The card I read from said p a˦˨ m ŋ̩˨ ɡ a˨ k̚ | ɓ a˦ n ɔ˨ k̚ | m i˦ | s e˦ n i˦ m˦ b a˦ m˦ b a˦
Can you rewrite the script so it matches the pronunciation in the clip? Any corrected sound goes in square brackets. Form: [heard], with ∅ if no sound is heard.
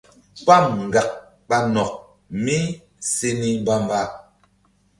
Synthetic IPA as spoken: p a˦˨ m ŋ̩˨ ɡ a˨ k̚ | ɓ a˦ n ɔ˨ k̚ | m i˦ | s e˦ n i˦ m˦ b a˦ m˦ b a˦